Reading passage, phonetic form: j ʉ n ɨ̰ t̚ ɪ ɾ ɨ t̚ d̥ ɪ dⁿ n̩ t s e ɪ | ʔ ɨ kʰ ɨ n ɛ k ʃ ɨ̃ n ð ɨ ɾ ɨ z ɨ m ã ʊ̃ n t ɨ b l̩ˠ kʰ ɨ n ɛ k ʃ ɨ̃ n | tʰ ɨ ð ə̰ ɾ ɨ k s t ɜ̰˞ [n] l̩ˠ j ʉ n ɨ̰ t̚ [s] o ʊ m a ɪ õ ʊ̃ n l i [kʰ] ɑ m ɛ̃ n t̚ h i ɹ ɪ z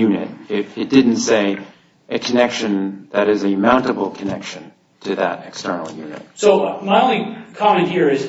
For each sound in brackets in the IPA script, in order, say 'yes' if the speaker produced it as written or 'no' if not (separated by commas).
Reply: yes, yes, yes